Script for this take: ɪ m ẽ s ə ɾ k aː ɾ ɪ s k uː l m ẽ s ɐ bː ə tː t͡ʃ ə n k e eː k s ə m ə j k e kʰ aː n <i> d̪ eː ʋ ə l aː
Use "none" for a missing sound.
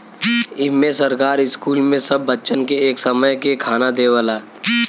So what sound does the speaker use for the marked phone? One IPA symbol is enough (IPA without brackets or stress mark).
a